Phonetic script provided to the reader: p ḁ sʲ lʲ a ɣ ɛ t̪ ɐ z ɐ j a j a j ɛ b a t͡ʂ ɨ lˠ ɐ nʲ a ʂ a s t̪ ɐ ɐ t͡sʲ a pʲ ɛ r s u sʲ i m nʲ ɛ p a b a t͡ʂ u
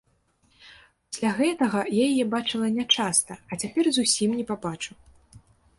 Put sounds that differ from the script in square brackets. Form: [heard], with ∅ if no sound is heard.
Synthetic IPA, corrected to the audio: p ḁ sʲ lʲ a ɣ ɛ t̪ ɐ [ɣ] ɐ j a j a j ɛ b a t͡ʂ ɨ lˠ ɐ nʲ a [t͡ʂ] a s t̪ ɐ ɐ t͡sʲ a pʲ ɛ r [z] u sʲ i m nʲ ɛ p a b a t͡ʂ u